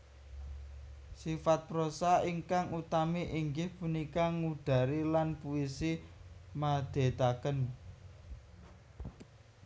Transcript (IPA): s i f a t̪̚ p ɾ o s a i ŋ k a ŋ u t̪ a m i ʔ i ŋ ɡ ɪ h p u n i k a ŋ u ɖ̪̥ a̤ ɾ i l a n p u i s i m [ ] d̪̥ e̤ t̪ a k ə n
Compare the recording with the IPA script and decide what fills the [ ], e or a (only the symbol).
a